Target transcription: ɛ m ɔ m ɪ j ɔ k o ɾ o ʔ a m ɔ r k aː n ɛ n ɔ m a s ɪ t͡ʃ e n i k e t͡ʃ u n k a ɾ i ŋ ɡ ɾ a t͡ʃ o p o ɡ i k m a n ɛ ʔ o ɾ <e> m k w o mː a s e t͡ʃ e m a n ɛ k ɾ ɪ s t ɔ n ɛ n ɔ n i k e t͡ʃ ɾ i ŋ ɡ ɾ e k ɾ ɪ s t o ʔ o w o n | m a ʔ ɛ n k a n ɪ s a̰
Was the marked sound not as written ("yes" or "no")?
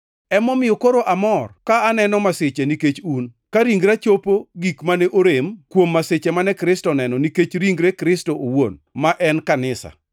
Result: no